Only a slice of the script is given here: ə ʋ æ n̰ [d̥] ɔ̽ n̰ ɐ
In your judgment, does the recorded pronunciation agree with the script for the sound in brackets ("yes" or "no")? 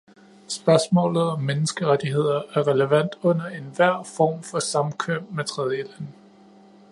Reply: yes